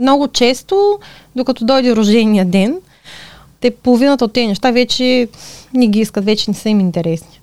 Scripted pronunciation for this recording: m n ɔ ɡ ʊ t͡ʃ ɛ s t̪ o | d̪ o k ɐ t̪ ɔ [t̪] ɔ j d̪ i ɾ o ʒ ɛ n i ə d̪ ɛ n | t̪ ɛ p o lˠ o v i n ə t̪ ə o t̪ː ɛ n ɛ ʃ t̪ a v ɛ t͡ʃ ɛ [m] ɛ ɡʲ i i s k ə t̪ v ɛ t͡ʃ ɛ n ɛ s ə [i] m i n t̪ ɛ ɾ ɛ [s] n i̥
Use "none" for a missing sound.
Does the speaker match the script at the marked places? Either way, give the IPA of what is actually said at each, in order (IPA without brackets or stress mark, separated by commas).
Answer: d̪, n, i, s